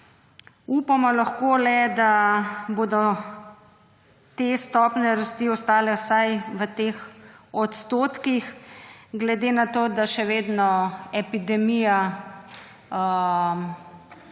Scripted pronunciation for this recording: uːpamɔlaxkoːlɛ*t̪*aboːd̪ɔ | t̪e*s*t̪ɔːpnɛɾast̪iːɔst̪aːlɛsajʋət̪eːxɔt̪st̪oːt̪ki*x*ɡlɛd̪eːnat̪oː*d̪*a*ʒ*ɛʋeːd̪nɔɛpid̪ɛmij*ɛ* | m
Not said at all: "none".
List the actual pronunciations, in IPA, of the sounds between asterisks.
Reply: d̪, s, x, d̪, ʃ, a

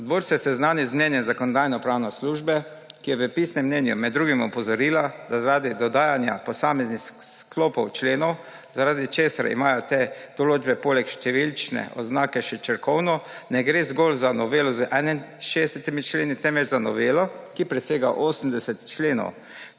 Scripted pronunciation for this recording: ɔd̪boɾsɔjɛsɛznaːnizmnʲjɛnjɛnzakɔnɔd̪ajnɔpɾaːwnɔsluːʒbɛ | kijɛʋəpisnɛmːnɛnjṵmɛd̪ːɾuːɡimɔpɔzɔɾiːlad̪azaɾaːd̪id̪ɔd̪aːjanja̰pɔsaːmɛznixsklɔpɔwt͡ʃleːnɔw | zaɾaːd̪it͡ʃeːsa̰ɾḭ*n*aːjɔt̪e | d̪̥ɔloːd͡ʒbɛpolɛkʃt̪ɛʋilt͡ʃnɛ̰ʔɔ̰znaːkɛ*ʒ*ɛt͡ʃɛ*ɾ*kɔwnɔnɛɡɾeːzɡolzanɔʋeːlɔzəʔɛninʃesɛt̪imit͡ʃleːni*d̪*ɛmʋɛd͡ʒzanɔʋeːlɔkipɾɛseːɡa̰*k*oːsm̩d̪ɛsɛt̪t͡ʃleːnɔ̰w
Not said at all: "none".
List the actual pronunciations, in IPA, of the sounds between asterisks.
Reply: m, ʃ, ɾ, t̪, ʔ

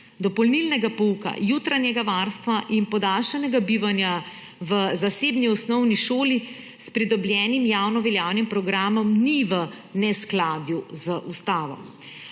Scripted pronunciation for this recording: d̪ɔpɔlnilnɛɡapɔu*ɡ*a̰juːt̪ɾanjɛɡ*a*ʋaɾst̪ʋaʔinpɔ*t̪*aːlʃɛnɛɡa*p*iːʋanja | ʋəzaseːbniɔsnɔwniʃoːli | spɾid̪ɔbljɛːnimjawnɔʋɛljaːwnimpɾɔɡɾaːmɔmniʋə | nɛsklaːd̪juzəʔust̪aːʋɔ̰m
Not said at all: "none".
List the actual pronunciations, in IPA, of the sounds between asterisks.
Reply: k, a, d̪, b

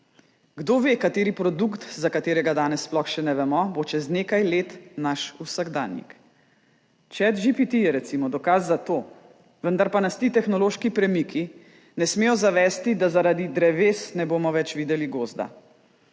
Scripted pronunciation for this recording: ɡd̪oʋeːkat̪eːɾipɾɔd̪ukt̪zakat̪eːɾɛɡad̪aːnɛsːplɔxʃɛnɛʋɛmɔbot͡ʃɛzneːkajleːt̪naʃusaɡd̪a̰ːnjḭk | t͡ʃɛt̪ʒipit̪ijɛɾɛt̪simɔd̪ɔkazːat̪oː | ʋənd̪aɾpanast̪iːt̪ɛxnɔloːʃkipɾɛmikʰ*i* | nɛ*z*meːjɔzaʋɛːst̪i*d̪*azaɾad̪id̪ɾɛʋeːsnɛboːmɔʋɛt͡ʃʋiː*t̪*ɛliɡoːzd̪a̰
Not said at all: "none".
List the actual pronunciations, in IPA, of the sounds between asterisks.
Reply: i, s, d̪, d̪

